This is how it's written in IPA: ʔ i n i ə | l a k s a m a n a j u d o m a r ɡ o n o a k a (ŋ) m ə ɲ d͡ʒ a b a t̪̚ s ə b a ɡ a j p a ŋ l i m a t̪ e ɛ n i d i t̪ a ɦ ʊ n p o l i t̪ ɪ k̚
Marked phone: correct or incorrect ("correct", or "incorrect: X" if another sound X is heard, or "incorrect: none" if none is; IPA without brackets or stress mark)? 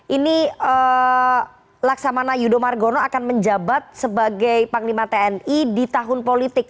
incorrect: n